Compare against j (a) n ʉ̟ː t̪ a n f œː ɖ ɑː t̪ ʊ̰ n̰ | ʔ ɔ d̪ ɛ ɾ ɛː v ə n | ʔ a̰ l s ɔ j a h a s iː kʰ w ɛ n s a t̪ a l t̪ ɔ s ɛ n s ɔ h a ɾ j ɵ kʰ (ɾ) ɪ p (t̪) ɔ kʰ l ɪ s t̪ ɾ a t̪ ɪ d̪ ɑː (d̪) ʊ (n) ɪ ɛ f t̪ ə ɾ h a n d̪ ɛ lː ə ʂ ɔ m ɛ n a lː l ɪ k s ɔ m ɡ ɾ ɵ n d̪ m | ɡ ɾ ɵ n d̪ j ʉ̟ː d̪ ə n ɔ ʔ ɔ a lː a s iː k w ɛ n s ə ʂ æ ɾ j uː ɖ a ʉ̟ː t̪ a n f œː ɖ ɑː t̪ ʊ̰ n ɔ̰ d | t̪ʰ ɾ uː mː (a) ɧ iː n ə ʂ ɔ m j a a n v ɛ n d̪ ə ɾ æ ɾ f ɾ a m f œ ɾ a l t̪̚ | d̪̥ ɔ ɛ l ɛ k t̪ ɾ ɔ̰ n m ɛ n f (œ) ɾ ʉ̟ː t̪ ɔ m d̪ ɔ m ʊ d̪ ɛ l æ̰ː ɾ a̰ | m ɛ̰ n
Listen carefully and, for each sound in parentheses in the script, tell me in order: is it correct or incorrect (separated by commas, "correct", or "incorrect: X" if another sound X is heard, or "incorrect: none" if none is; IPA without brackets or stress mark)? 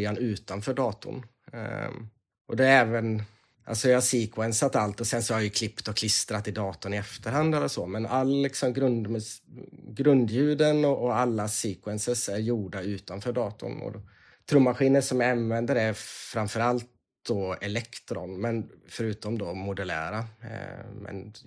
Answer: correct, incorrect: l, correct, incorrect: t̪, correct, correct, correct